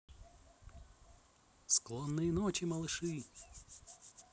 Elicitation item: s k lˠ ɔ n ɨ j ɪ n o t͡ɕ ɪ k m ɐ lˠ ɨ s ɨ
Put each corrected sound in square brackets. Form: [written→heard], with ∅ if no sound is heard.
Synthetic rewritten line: s k lˠ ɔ [n→nː] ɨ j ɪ n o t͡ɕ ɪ [k→∅] m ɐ lˠ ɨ [s→ʂ] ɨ